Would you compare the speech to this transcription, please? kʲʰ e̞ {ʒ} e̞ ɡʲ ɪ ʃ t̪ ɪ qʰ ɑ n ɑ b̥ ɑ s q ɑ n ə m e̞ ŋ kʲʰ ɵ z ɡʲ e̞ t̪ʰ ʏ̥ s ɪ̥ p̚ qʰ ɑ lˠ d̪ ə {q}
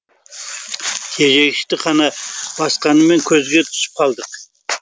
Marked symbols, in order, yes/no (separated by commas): yes, yes